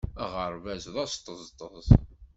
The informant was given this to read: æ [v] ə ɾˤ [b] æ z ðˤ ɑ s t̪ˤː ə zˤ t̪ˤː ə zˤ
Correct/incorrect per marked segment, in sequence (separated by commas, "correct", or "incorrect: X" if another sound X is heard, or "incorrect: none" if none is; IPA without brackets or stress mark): incorrect: ʁ, incorrect: v